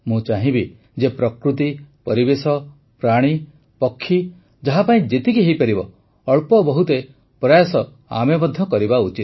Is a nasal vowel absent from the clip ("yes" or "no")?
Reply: no